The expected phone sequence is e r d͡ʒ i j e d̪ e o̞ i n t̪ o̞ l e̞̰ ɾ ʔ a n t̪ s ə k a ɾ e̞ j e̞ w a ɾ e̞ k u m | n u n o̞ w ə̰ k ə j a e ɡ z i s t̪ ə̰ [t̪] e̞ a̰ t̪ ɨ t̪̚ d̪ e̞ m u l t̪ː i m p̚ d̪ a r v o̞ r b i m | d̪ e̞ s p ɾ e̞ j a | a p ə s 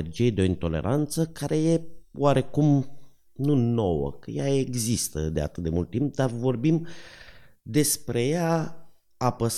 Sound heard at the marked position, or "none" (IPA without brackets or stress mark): d̪